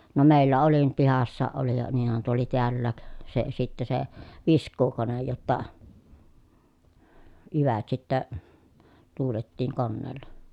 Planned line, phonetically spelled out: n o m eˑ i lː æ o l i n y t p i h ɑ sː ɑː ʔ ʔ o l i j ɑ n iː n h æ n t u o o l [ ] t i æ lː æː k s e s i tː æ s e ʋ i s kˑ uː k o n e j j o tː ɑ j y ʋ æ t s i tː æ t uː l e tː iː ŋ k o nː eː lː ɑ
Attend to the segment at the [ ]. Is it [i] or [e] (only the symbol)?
i